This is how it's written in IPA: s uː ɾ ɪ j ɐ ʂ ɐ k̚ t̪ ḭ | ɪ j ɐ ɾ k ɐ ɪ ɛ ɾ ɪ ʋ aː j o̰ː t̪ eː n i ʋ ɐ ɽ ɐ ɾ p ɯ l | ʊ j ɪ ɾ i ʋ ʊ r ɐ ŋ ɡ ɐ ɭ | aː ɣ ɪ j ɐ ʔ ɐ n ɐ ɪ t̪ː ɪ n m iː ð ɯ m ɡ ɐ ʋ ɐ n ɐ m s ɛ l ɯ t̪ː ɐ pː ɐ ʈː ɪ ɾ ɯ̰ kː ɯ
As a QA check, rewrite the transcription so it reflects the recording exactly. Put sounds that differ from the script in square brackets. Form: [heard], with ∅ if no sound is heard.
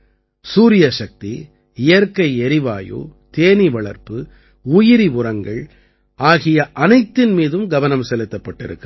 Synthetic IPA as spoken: s uː ɾ ɪ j ɐ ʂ ɐ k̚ t̪ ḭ | ɪ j ɐ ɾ k ɐ ɪ ɛ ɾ ɪ ʋ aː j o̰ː t̪ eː n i ʋ ɐ [ɭ] ɐ ɾ p ɯ [∅] | ʊ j ɪ ɾ i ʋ ʊ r ɐ ŋ ɡ ɐ ɭ | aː ɣ ɪ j ɐ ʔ ɐ n ɐ ɪ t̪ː ɪ n m iː ð ɯ m ɡ ɐ ʋ ɐ n ɐ m s ɛ l ɯ t̪ː ɐ pː ɐ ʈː ɪ ɾ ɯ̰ kː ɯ